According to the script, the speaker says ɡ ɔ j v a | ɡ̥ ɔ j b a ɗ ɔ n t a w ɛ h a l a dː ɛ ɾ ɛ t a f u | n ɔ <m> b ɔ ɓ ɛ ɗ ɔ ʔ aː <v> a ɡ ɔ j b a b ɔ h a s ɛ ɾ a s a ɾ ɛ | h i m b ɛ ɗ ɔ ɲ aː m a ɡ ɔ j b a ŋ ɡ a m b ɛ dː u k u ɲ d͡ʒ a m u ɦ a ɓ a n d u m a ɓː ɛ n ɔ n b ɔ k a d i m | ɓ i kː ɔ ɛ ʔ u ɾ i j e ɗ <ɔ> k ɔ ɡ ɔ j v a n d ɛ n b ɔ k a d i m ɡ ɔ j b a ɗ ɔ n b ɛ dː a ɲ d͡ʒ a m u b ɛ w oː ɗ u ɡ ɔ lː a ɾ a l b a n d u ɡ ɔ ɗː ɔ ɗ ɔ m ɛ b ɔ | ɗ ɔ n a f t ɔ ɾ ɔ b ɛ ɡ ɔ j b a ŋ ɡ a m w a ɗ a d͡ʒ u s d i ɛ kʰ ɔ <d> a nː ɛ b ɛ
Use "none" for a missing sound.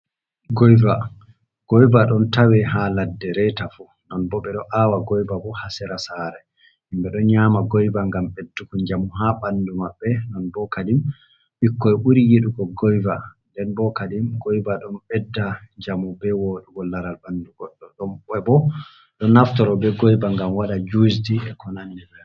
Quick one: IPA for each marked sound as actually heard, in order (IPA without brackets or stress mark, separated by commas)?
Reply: n, w, u, n